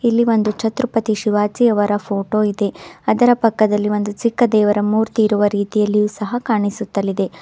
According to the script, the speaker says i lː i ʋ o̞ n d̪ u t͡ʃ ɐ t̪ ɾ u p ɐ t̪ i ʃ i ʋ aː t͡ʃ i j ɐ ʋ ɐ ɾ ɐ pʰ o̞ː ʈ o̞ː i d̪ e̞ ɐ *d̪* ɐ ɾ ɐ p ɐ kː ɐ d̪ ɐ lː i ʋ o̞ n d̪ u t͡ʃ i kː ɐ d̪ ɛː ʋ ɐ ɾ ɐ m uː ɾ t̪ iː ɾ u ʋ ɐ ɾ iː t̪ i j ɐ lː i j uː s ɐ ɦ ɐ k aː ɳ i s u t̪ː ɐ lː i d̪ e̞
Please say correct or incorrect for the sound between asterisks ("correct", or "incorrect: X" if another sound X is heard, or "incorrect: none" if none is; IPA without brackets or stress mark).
correct